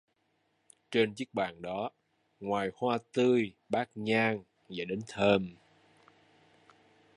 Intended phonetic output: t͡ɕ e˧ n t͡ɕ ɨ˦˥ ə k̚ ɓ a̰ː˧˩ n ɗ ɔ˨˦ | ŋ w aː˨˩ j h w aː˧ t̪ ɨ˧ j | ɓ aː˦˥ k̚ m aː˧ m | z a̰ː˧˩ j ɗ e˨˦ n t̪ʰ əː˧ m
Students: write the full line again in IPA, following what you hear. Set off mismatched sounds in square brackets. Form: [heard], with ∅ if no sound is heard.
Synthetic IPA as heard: t͡ɕ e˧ n t͡ɕ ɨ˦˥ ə k̚ ɓ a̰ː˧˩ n ɗ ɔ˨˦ | ŋ w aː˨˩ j h w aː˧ t̪ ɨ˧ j | ɓ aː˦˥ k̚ [ɲ] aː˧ [ŋ] | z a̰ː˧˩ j ɗ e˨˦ n t̪ʰ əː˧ m